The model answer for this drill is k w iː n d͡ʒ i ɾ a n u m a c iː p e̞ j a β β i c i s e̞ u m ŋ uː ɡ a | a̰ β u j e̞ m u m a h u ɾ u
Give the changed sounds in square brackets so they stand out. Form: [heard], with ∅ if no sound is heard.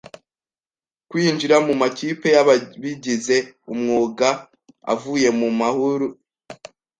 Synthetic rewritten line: k w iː n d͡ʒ i ɾ a [m] u m a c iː p e̞ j a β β i [ɟ] i [z] e̞ u m ŋ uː ɡ a | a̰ [v] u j e̞ m u m a h u ɾ u